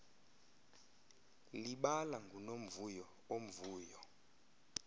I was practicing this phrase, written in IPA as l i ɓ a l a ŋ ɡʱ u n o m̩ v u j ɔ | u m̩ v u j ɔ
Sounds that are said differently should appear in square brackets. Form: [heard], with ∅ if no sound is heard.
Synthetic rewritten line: l i ɓ a l a ŋ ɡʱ u n o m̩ v u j ɔ | [o] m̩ v [uː] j ɔ